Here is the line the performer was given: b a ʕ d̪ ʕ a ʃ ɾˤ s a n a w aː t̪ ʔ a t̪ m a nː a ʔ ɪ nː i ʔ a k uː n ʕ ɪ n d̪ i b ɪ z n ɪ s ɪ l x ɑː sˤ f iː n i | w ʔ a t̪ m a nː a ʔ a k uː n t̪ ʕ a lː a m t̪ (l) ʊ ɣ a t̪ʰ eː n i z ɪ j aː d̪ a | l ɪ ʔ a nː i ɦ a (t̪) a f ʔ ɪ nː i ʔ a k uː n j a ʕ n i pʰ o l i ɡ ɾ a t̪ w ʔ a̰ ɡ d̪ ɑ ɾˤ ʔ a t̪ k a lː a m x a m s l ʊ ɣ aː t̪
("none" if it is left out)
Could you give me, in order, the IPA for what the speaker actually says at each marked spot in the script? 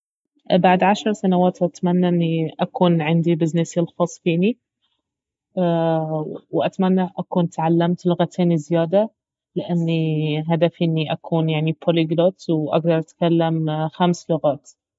l, d̪

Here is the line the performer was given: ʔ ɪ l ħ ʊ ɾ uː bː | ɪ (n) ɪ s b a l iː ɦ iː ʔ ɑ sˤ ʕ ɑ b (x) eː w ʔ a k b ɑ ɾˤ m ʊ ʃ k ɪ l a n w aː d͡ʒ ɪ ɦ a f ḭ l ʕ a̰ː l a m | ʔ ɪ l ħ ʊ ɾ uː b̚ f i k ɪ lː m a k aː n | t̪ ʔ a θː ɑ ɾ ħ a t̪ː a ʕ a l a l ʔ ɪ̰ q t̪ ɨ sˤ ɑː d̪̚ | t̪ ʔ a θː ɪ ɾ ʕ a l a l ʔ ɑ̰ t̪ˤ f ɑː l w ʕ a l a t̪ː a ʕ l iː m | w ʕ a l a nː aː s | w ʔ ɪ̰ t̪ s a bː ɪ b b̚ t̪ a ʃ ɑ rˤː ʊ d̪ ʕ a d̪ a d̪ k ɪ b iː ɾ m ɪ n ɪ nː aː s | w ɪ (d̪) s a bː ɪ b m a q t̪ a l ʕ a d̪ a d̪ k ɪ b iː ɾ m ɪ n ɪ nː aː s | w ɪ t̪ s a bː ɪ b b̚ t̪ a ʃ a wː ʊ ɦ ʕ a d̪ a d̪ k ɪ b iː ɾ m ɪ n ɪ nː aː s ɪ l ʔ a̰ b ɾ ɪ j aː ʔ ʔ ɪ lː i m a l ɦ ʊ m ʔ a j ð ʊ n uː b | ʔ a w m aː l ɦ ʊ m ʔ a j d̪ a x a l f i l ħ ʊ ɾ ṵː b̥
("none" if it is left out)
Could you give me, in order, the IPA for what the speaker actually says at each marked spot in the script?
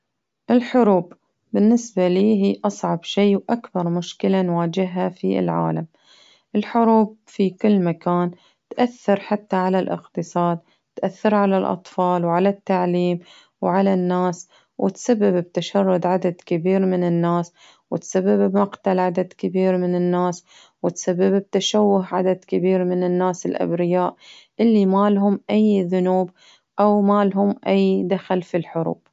nː, ʃ, t̪

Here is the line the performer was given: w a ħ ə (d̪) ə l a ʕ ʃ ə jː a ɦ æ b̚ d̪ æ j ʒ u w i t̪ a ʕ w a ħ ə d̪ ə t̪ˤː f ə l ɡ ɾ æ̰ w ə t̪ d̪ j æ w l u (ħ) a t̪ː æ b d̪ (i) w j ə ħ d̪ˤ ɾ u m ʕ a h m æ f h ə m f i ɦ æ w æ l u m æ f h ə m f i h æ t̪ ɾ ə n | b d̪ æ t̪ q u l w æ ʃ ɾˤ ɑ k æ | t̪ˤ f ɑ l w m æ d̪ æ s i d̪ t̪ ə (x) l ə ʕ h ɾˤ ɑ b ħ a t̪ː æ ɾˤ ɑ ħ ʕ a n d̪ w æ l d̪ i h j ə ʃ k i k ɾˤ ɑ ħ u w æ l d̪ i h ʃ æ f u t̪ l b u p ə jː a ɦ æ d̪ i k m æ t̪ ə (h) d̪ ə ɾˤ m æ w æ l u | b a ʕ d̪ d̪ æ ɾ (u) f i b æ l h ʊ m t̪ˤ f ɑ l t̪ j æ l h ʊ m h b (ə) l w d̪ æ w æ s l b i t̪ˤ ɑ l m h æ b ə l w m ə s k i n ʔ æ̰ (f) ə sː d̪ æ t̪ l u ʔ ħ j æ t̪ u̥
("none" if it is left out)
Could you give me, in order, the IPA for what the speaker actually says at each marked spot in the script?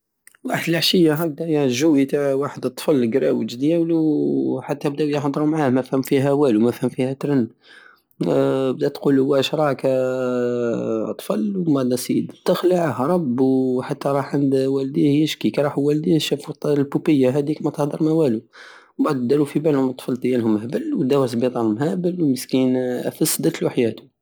d̪, ħ, æ, x, h, u, ə, f

